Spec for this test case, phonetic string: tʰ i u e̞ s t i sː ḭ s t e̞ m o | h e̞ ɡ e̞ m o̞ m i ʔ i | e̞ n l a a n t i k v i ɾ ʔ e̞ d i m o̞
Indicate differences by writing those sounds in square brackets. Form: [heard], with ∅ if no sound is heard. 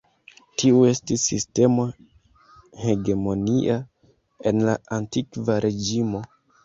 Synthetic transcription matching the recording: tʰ i u e̞ s t i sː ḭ s t e̞ m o | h e̞ ɡ e̞ m o̞ [n] i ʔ [a] | e̞ n l a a n t i k v [a] ɾ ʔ e̞ [d͡ʒ] i m o̞